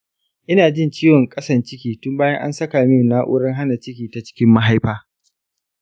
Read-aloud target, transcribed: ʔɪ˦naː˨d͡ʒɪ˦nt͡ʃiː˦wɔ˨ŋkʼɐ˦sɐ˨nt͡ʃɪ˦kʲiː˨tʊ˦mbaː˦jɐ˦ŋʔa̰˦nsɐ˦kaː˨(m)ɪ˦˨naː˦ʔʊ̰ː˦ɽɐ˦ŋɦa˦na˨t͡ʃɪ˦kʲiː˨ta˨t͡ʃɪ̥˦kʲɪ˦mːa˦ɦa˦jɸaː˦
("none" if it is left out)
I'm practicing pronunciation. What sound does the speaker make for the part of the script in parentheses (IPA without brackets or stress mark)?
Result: m